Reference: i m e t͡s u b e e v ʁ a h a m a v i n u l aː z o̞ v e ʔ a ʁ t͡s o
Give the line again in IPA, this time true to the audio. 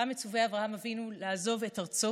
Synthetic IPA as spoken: a m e t͡s u v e a v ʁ a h a m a v i n u l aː z o̞ v e t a ʁ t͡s o